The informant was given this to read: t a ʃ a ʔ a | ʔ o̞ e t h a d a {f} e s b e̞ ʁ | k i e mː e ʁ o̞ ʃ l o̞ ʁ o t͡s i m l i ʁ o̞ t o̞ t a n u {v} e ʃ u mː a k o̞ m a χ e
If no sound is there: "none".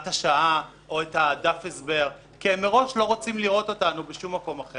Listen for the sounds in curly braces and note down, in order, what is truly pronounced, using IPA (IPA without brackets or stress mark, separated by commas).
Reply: f, b